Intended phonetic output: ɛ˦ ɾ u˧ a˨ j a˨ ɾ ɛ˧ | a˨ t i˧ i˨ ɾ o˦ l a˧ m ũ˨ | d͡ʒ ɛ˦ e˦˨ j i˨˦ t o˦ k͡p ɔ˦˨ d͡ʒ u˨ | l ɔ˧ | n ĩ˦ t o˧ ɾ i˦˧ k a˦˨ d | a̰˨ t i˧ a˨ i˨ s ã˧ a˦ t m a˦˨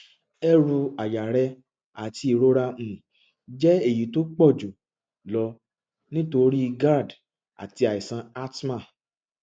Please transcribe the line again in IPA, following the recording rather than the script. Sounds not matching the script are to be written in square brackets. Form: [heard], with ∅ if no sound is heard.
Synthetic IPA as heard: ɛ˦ ɾ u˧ a˨ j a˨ ɾ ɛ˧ | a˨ t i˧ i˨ ɾ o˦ [ɾ] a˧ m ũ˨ | d͡ʒ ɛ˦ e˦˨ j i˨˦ t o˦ k͡p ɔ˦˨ d͡ʒ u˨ | l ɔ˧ | n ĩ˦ t o˧ ɾ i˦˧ [ɡ] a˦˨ d | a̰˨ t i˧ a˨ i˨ s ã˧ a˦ t m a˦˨